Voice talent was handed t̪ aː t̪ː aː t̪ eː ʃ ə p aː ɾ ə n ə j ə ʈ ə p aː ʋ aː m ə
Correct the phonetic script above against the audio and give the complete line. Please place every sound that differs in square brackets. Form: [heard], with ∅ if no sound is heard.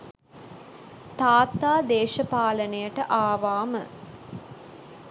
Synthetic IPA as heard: t̪ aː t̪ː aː [d̪] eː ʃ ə p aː [l] ə n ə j ə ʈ ə [ʔ] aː ʋ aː m ə